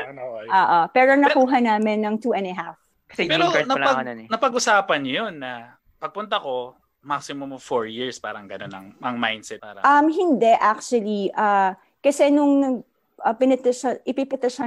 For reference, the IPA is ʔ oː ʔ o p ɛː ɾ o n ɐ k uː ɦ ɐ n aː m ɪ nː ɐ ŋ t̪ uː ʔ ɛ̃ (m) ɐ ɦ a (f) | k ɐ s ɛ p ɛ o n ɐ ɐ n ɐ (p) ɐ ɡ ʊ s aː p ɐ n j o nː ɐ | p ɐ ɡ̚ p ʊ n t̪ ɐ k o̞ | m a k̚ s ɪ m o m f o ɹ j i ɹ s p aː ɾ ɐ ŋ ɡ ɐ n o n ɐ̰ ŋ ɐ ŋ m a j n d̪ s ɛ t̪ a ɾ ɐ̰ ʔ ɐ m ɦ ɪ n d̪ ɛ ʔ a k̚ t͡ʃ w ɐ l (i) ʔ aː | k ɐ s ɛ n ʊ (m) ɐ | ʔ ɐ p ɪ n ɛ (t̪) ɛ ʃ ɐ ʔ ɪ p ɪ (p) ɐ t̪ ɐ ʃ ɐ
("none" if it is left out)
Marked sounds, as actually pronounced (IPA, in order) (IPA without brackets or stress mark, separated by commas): n, f, p, i, ŋ, t̪, p